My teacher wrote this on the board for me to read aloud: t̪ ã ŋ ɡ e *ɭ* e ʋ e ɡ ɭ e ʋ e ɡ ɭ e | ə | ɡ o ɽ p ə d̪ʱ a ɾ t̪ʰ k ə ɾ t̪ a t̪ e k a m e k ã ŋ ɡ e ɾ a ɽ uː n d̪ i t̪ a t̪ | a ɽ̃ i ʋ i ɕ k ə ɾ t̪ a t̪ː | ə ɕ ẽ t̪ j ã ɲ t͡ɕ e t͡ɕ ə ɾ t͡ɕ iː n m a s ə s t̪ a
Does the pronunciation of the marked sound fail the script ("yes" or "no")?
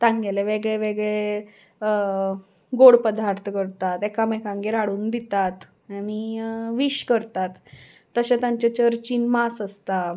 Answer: yes